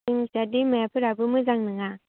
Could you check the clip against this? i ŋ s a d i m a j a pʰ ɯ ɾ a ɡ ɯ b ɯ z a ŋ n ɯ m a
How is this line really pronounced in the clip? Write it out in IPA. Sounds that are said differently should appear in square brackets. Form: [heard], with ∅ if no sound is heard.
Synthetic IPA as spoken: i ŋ s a d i m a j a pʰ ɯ ɾ a [b] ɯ [m] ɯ z a ŋ n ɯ [ŋ] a